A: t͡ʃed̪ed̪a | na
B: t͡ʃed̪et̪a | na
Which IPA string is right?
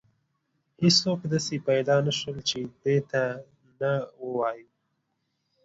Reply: B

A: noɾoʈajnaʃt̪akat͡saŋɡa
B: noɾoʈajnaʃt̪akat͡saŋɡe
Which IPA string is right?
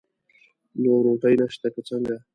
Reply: A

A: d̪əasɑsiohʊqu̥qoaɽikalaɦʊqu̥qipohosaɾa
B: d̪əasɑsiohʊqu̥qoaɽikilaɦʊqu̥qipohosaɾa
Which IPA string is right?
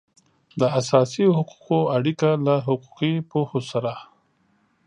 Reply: A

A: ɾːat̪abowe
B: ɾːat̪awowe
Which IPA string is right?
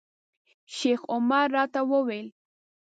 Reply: B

